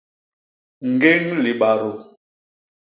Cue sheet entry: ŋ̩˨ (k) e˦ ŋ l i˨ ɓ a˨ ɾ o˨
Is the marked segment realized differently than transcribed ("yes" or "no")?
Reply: yes